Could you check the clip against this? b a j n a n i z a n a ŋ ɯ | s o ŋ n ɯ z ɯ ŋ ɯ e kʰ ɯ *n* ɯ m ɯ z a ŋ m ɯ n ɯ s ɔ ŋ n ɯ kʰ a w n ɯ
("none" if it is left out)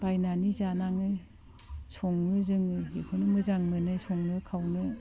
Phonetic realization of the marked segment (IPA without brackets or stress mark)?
n